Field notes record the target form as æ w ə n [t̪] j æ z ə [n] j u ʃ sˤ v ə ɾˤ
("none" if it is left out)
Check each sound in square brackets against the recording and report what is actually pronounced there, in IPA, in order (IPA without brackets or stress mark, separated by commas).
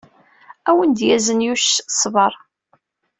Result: d̪, n